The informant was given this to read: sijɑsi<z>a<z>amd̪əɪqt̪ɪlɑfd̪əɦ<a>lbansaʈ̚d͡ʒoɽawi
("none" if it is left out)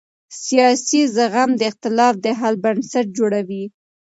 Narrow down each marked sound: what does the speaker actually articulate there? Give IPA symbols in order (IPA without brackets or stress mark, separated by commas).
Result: z, ɣ, a